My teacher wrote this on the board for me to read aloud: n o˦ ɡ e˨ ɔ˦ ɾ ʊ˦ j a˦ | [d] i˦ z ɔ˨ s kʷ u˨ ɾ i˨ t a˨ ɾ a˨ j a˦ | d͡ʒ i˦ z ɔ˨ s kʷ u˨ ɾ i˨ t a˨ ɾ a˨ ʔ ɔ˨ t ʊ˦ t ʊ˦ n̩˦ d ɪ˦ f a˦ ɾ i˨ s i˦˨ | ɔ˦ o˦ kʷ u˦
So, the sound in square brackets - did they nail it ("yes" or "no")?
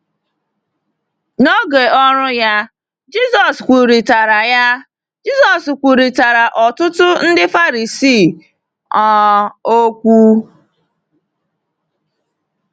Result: no